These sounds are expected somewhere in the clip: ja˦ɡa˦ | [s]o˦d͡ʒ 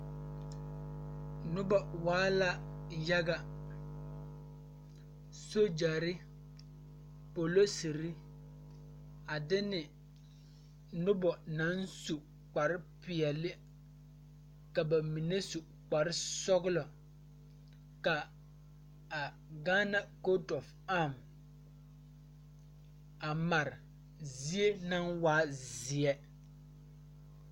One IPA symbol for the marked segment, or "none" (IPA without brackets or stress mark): s